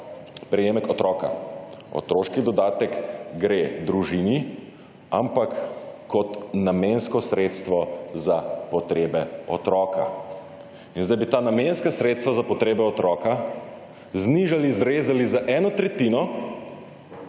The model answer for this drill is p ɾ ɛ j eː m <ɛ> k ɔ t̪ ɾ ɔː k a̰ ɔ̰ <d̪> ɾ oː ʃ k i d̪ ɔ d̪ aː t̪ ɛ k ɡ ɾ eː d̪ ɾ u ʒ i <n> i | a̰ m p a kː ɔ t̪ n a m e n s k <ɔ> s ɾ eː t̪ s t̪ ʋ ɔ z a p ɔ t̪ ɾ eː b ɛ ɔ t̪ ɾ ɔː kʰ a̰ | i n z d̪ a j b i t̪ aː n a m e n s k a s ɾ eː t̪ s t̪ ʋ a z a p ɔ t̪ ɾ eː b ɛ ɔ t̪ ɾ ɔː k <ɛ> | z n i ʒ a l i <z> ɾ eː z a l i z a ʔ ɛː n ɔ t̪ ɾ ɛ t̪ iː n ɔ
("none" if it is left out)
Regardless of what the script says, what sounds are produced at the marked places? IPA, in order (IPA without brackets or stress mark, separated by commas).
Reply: ɛ, t̪, n, ɔ, a, z